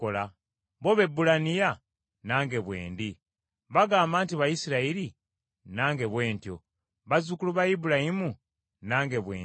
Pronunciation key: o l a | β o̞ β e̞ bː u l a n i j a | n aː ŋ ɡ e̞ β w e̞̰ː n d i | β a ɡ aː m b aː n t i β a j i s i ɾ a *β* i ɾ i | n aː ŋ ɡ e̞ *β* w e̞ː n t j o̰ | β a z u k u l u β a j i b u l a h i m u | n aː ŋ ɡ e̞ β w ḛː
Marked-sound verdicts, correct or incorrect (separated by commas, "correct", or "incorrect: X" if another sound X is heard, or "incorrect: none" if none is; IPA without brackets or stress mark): incorrect: none, correct